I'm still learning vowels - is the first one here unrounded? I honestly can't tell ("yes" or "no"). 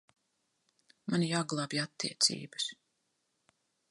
yes